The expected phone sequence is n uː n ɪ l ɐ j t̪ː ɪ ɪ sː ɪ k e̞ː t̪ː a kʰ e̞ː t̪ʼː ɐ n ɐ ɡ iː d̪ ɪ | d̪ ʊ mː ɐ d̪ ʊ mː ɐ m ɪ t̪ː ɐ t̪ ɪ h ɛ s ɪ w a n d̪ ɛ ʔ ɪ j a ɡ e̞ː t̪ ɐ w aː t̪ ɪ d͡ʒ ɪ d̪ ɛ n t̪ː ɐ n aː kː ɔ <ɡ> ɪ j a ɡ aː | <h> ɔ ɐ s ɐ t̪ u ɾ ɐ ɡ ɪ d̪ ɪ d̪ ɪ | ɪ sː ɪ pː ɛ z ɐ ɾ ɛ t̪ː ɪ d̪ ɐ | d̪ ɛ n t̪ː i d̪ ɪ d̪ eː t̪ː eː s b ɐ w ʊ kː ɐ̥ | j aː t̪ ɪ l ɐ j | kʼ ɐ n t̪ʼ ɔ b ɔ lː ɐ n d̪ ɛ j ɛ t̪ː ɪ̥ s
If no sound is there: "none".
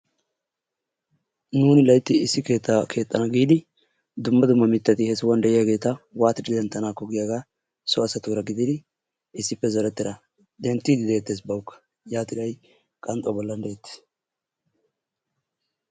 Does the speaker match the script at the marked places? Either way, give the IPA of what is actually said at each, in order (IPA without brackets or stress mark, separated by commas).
ɡ, s